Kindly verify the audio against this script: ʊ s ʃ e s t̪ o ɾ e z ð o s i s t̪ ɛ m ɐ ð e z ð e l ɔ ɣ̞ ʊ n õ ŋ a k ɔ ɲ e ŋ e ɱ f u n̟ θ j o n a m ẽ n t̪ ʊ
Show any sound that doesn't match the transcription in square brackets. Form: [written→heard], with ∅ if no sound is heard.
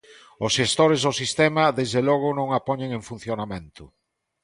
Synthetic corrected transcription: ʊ s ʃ e s t̪ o ɾ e z ð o s i s t̪ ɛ m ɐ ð e z ð e l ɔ ɣ̞ ʊ n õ ŋ a [k→p] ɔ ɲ e ŋ e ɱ f u n̟ θ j o n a m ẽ n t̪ ʊ